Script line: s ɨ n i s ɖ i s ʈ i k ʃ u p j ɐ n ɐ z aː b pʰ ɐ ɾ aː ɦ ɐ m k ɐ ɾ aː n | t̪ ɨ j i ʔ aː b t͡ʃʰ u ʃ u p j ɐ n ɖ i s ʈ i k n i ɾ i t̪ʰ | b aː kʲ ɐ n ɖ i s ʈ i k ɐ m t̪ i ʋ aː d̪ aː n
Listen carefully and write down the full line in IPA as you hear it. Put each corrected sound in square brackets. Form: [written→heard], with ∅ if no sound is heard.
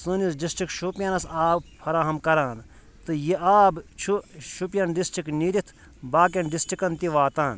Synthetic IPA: s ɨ n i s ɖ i s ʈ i k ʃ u p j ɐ n ɐ [z→s] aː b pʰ ɐ ɾ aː ɦ ɐ m k ɐ ɾ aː n | t̪ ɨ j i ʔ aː b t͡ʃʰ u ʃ u p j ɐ n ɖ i s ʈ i k n i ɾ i t̪ʰ | b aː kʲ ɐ n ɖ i s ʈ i k ɐ [m→n] t̪ i ʋ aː [d̪→t̪] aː n